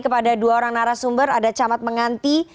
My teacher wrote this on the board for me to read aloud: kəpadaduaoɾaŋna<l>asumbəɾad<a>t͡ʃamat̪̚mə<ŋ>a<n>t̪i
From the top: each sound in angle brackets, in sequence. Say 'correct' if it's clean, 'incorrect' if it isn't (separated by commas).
incorrect, correct, correct, correct